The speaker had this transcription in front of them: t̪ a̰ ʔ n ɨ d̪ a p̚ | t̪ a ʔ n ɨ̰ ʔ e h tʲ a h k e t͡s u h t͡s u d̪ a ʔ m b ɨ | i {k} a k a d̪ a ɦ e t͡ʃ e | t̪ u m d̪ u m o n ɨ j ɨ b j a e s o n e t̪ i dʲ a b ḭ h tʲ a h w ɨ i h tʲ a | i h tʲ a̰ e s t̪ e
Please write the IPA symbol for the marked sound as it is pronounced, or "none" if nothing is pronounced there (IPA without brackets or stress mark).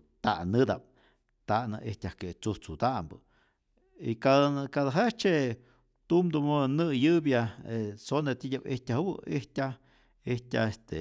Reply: k